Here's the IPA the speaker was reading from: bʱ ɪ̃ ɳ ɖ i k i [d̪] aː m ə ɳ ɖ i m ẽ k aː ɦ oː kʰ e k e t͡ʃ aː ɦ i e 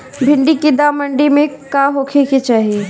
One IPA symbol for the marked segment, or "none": d̪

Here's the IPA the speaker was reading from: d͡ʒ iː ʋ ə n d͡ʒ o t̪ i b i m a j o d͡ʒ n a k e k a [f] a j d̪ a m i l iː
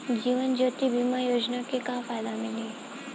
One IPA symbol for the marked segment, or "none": f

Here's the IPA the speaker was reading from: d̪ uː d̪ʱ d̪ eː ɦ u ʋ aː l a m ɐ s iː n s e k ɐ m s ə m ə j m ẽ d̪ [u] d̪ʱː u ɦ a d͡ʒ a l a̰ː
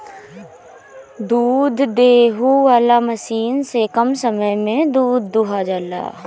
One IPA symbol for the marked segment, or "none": uː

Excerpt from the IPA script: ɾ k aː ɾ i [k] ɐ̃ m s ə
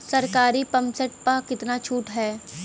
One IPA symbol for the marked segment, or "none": p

